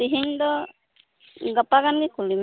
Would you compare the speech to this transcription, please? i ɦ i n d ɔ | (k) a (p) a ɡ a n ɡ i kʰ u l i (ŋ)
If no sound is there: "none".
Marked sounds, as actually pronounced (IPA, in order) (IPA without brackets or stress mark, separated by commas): ɡ, p, m